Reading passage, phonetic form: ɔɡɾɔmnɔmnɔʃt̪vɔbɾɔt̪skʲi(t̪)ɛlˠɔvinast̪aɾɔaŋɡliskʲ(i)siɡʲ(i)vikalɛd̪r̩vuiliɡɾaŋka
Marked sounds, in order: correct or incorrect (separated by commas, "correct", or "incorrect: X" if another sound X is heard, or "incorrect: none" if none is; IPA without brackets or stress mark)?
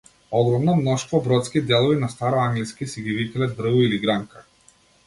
incorrect: d̪, correct, correct